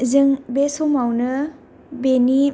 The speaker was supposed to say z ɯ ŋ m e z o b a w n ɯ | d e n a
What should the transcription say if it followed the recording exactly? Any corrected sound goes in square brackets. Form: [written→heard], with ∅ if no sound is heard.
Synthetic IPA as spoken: z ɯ ŋ [m→b] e [z→s] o [b→m] a w n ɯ | [d→b] e n [a→i]